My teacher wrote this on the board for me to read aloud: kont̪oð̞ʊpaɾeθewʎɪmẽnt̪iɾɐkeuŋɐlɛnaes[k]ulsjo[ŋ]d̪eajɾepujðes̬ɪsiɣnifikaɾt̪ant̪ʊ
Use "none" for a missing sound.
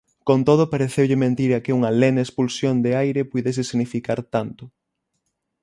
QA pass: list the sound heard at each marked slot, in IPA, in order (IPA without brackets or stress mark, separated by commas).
p, n